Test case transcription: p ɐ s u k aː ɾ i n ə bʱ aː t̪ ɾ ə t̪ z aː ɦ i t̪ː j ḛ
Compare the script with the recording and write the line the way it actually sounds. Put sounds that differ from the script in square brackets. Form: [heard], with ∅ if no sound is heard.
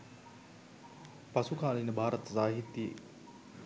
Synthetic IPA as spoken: p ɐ s u k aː [l] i n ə bʱ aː [∅] ɾ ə t̪ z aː ɦ i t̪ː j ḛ